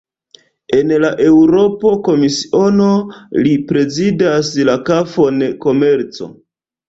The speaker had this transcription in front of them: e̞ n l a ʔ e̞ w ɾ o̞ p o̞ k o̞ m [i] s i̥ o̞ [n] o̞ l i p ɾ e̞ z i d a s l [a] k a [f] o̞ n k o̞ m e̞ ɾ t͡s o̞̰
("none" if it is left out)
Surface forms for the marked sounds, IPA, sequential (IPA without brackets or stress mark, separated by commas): i, n, a, f